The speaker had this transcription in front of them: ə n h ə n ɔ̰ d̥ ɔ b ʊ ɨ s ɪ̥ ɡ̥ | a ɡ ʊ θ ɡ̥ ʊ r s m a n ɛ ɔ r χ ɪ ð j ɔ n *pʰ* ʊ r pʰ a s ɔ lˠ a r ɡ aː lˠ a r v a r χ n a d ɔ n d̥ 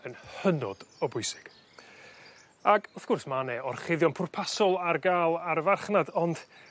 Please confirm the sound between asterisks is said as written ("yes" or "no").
yes